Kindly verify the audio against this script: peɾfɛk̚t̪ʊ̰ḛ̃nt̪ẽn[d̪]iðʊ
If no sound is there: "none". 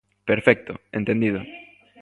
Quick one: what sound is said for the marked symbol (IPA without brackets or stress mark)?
d̪